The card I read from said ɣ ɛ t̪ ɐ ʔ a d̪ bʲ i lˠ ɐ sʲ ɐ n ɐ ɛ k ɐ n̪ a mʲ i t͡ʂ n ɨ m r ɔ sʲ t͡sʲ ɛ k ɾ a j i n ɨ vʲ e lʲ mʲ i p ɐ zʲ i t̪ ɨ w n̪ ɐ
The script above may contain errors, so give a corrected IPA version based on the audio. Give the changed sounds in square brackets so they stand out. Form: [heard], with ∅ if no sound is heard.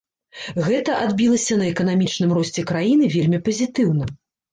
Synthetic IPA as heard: ɣ ɛ t̪ ɐ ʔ a d̪ bʲ i lˠ ɐ sʲ ɐ n ɐ ɛ k ɐ n̪ a mʲ i t͡ʂ n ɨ m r ɔ sʲ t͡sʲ ɛ k ɾ a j i n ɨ vʲ e lʲ mʲ i p ɐ zʲ i t̪ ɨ w n̪ ɐ